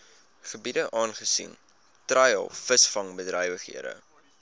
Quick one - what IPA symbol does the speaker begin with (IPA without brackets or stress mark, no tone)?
χ